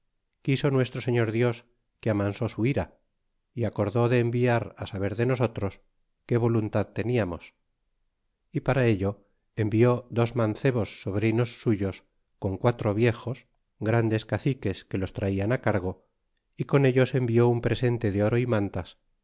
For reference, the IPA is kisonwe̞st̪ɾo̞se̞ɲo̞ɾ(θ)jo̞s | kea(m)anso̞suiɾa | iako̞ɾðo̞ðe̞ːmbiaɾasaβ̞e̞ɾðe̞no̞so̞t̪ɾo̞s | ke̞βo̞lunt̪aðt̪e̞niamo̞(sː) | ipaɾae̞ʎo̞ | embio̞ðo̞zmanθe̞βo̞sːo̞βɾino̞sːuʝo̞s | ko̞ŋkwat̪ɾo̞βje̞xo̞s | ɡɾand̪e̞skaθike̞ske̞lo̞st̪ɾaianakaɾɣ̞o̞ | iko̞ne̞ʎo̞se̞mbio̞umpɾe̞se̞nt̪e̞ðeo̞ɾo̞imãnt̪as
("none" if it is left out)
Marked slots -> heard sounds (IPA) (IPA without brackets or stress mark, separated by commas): ð, m, s